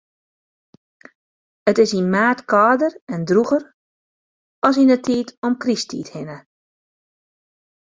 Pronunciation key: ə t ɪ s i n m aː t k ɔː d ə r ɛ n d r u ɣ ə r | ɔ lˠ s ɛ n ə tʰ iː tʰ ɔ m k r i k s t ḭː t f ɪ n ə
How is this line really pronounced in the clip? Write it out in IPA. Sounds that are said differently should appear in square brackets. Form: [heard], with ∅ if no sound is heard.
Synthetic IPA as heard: ə t ɪ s i n m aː t k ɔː d ə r ɛ n d r u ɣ ə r | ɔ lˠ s [i] n ə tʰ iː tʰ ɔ m k r i [∅] s t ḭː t [h] ɪ n ə